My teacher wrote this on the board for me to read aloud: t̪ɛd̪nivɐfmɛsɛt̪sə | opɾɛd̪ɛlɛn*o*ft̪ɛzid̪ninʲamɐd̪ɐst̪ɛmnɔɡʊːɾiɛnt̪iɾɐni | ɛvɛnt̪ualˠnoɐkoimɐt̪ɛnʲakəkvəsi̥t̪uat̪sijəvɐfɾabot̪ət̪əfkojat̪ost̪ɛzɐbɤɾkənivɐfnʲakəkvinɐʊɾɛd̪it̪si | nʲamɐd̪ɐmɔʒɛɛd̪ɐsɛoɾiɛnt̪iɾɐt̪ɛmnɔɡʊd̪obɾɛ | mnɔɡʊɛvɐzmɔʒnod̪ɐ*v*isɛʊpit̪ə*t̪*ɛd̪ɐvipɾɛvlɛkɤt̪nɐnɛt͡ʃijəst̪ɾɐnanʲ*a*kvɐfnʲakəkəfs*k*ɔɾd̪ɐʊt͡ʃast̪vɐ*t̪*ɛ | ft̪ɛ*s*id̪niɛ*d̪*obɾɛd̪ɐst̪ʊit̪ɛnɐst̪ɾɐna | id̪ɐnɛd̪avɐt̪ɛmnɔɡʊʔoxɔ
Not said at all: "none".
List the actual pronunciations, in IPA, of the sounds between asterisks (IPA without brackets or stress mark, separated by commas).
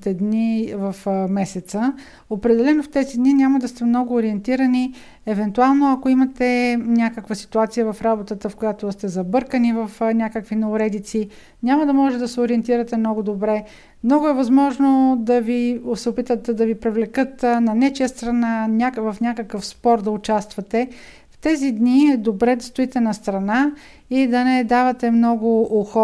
o, v, t̪, a, p, t̪, z, d̪